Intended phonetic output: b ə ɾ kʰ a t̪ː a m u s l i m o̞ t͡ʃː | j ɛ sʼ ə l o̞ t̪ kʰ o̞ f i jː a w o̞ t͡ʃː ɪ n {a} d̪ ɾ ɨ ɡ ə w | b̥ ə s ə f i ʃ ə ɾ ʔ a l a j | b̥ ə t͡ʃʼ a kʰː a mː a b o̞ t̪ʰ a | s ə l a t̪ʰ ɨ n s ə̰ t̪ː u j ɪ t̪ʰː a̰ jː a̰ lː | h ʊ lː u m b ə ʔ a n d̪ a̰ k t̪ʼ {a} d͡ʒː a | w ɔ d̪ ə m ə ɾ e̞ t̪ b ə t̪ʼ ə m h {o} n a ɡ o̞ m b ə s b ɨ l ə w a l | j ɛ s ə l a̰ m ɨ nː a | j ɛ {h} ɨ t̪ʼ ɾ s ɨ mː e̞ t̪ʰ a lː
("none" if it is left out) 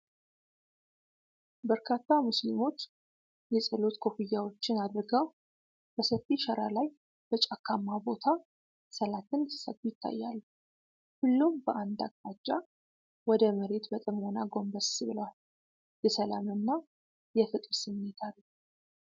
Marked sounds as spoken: a, a, o, f

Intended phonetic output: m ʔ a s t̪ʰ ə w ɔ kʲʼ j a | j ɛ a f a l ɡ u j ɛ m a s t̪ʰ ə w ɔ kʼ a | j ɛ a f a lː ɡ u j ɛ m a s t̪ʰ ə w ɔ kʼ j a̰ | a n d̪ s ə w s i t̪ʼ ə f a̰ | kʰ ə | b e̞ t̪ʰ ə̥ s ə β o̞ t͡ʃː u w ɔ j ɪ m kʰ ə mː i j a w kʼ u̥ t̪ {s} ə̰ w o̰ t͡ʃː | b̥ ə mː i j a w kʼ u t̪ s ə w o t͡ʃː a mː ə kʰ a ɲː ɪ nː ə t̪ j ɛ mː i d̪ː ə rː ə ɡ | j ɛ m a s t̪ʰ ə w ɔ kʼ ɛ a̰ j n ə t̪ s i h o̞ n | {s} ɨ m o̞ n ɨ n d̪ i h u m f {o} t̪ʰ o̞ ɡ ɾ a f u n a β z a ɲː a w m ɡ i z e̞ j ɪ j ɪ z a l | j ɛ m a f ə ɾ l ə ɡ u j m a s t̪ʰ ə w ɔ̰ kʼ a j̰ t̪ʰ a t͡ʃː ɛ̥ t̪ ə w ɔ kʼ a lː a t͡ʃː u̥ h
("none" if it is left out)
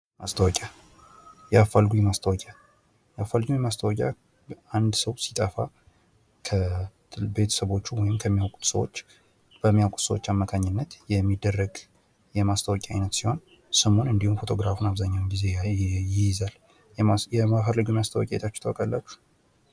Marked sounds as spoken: s, s, o

